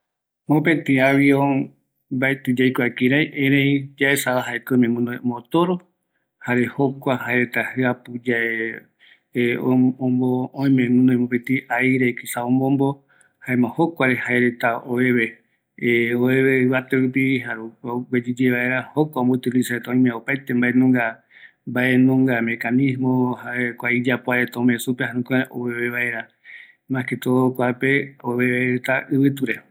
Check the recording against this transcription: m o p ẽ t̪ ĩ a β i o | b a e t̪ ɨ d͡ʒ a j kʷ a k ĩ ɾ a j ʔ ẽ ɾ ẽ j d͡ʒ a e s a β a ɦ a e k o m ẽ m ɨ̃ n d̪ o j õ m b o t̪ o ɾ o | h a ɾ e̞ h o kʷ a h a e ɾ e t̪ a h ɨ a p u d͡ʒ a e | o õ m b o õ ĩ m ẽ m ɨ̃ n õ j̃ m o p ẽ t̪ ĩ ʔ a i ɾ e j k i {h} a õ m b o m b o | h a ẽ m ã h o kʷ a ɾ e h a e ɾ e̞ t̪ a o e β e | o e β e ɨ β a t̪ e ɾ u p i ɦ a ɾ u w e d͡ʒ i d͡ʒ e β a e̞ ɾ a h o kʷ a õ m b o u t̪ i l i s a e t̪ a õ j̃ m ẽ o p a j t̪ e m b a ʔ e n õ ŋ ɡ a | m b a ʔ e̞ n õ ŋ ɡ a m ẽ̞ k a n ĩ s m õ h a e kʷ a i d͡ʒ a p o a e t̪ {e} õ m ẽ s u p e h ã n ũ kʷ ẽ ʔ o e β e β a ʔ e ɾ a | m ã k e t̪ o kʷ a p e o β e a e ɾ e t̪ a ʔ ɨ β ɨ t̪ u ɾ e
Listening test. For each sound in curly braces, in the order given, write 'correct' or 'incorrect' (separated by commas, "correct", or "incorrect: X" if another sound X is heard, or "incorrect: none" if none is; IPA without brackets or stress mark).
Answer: incorrect: s, incorrect: a